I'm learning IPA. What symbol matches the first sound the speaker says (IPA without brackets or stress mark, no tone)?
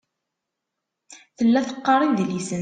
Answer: θ